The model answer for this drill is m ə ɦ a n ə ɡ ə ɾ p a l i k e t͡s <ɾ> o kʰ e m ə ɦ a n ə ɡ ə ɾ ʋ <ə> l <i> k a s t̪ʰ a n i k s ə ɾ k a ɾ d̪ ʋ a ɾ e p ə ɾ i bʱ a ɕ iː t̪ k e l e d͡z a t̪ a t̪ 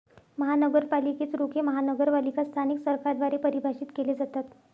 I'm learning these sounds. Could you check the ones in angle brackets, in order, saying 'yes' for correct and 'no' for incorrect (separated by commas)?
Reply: yes, no, yes